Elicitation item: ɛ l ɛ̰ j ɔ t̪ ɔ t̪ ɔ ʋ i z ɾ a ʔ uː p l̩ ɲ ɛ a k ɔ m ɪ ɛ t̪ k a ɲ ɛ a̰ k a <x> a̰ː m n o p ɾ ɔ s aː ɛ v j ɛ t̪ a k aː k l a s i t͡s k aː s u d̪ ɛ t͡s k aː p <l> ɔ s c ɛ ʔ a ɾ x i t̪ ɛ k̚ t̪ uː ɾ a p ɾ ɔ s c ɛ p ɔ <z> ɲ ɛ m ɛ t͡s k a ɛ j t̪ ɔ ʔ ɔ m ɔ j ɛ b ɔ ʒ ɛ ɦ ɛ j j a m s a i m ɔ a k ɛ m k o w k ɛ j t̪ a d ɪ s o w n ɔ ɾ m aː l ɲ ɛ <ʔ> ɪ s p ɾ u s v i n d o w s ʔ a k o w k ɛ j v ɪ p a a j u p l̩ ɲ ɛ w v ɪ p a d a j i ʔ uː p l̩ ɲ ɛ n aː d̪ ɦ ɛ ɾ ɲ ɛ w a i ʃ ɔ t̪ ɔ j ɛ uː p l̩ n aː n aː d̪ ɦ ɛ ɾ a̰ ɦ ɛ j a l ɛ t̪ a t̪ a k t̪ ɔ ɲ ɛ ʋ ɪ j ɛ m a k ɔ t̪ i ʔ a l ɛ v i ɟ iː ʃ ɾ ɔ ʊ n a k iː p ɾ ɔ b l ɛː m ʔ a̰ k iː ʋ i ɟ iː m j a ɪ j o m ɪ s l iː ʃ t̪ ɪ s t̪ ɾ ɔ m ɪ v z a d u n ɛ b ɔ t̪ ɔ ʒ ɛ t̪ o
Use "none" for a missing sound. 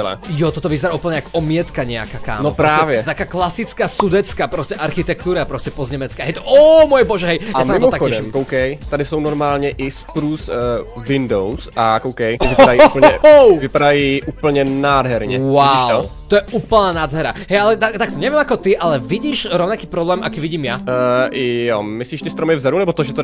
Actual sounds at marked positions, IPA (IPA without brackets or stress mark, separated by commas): k, ɾ, z, ʔ